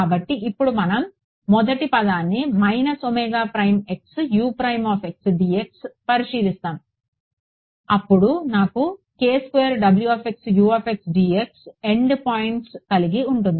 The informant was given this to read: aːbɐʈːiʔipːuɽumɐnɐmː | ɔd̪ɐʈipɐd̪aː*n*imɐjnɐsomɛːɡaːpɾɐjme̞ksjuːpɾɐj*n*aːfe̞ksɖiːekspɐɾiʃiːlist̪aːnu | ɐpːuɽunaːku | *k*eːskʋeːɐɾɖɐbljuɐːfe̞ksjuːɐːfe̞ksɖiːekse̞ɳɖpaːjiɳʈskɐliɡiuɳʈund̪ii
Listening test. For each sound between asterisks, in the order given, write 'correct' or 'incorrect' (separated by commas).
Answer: incorrect, incorrect, correct